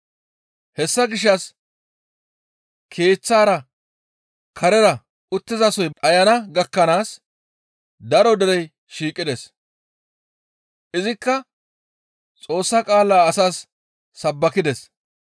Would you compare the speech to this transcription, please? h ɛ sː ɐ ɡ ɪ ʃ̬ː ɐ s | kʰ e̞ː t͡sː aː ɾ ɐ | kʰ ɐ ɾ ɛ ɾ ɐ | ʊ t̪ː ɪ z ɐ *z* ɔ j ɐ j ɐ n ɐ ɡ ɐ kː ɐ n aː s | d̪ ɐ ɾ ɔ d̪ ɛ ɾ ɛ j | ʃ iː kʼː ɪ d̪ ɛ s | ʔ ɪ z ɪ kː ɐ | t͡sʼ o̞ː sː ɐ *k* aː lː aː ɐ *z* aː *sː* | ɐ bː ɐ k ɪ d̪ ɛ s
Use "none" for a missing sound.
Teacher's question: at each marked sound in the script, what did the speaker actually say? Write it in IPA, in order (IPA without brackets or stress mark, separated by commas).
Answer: s, kʼ, s, sː